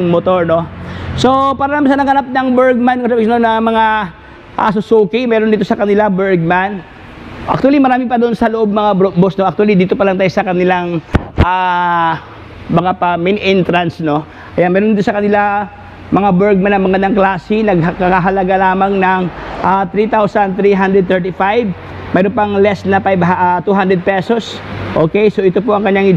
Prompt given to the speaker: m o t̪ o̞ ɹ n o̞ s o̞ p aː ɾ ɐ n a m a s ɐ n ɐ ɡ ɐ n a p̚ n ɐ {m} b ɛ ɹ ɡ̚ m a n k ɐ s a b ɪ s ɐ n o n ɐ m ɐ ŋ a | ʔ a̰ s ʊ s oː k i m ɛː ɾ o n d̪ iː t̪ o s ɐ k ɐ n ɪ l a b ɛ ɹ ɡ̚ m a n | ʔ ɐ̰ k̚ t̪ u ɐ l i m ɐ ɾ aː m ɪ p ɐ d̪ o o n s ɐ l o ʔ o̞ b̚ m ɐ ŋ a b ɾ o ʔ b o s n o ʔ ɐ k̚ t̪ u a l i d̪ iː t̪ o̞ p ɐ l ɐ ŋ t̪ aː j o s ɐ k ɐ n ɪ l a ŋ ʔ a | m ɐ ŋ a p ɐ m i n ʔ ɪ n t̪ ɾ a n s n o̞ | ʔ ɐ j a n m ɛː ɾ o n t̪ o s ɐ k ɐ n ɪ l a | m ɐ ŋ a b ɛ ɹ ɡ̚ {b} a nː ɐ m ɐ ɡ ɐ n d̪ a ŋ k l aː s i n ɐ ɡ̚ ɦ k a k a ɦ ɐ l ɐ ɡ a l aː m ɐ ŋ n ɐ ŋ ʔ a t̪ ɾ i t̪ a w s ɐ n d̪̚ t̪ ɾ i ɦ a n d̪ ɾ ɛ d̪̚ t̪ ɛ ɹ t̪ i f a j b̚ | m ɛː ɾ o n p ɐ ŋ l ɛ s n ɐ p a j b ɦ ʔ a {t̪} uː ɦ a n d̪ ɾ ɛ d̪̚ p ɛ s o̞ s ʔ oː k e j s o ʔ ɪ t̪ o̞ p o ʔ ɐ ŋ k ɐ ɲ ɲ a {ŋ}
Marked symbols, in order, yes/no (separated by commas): no, no, yes, yes